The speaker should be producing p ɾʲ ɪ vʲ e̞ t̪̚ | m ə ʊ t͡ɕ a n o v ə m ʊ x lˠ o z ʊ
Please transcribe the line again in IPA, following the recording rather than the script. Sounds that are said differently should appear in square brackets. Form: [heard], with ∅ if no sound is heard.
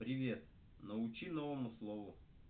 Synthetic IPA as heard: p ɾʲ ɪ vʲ e̞ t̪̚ | [n] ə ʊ t͡ɕ [i] n o v ə m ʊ [s] lˠ o [v] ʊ

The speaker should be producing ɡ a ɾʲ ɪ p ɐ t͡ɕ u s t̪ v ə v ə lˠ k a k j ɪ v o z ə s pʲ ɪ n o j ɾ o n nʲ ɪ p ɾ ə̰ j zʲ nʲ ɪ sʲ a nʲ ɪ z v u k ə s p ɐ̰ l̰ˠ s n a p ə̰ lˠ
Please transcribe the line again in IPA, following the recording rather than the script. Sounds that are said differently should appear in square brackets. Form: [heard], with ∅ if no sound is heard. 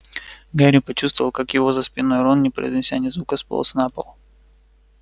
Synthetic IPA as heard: ɡ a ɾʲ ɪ p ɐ t͡ɕ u s t̪ v ə v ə lˠ k a k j ɪ v o z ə s pʲ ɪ n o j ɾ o n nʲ ɪ p ɾ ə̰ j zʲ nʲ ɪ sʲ a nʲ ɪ z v u k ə s p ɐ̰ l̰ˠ s n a p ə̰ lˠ

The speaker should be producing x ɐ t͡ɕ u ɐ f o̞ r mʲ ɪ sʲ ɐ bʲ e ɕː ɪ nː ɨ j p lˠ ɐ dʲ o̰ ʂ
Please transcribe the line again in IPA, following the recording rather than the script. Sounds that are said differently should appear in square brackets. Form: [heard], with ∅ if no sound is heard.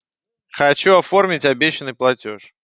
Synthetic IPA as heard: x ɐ t͡ɕ u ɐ f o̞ r mʲ ɪ [tʲ] ɐ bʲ e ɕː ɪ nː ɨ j p lˠ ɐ [tʲ] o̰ ʂ

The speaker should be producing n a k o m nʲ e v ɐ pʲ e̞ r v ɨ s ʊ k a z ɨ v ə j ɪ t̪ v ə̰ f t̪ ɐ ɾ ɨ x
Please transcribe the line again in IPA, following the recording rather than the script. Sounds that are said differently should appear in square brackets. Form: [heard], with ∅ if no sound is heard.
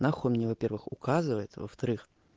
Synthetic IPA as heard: n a [x] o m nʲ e v ɐ pʲ e̞ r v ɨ [x] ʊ k a z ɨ v ə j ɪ t̪ v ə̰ f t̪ ɐ ɾ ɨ x

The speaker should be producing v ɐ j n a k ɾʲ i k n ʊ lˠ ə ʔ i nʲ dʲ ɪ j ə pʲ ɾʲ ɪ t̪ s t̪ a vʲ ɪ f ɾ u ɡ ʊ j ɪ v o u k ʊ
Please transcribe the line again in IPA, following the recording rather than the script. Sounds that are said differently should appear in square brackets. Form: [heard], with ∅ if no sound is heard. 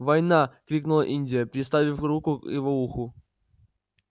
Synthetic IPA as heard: v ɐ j n a k ɾʲ i k n ʊ lˠ ə ʔ i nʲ dʲ ɪ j ə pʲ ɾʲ ɪ [∅] s t̪ a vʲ ɪ f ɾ u [k] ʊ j ɪ v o u [x] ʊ

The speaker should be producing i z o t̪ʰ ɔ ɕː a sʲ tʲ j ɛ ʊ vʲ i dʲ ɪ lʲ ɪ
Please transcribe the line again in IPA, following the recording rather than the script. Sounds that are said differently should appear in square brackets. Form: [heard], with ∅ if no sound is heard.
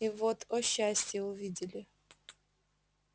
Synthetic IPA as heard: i [v] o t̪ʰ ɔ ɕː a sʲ tʲ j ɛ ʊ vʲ i dʲ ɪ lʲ ɪ

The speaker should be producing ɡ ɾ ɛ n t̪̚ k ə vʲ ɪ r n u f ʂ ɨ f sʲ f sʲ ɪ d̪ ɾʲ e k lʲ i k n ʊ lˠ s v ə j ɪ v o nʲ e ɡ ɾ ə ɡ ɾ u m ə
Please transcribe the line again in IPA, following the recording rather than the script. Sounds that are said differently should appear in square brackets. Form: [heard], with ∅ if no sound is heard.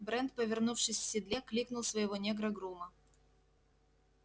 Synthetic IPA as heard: [b] ɾ ɛ n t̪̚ [p] ə vʲ ɪ r n u f ʂ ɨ [∅] sʲ f sʲ ɪ d̪ [lʲ] e k lʲ i k n ʊ lˠ s v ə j ɪ v o nʲ e ɡ ɾ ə ɡ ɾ u m ə

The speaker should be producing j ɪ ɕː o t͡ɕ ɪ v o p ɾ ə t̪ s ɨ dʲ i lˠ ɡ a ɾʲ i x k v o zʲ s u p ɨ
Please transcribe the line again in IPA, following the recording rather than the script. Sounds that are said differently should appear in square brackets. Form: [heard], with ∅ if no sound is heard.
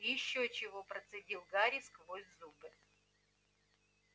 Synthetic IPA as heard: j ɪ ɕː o t͡ɕ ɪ v o p ɾ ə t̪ s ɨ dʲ i lˠ ɡ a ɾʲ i [s] k v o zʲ [z] u [b] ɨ

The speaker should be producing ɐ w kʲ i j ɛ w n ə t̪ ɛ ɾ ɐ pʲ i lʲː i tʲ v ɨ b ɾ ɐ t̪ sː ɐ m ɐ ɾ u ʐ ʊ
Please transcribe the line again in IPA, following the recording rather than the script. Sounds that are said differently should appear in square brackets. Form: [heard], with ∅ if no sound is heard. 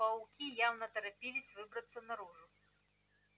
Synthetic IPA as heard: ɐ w kʲ i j [a] w n [ɐ] t̪ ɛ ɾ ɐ pʲ i [lʲ] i [sʲ] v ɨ b ɾ ɐ t̪ sː ɐ [n] ɐ ɾ u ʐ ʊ

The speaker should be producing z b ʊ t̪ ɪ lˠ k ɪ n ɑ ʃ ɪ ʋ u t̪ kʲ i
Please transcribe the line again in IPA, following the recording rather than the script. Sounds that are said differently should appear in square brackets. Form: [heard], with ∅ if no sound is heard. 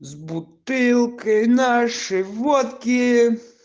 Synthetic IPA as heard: z b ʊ t̪ ɪ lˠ k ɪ n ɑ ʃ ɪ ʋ [ɔ] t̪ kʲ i

